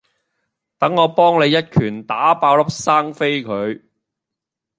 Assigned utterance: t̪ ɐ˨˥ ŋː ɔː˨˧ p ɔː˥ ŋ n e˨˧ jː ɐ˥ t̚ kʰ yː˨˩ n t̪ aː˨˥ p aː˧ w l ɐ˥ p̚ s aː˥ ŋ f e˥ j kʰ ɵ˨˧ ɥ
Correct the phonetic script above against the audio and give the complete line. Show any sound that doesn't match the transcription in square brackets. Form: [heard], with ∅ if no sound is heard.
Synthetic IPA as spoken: t̪ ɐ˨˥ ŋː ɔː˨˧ p ɔː˥ ŋ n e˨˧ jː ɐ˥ t̚ kʰ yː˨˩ n t̪ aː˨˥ p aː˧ w l ɐ˥ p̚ s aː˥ ŋ f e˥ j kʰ ɵ˨˧ ɥ